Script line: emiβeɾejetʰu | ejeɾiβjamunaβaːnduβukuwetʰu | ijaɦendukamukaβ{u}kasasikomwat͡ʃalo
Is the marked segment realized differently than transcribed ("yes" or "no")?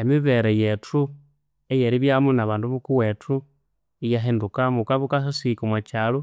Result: no